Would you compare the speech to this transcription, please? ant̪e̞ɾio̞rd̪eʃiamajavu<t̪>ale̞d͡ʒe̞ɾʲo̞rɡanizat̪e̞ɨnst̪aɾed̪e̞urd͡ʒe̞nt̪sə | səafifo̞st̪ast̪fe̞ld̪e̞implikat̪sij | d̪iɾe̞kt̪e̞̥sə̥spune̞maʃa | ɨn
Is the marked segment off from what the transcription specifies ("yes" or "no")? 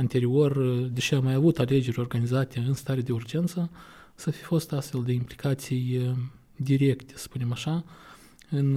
no